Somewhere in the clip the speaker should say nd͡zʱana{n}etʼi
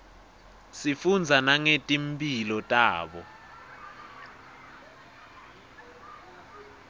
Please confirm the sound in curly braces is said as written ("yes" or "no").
no